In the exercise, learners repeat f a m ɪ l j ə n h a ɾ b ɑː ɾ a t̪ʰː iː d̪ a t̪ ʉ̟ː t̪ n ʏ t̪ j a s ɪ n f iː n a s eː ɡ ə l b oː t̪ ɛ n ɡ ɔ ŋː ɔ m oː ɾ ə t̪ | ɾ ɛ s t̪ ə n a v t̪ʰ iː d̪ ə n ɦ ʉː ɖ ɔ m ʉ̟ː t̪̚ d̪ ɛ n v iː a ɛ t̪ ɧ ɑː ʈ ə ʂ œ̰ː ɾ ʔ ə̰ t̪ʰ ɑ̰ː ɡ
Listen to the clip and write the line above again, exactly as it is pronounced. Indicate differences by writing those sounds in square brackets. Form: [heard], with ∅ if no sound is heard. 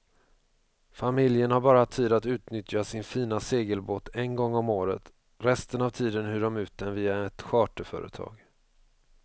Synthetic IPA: f a m ɪ l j ə n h a ɾ b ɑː ɾ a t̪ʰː iː d̪ a t̪ ʉ̟ː t̪ n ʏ t̪ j a s ɪ n f iː n a s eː ɡ ə l b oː t̪ ɛ n ɡ ɔ ŋː ɔ m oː ɾ ə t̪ | ɾ ɛ s t̪ ə n a v t̪ʰ iː d̪ ə n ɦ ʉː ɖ ɔ m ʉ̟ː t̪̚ d̪ ɛ n v iː a ɛ t̪ ɧ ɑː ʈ ə [f] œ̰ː ɾ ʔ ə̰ t̪ʰ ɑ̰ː ɡ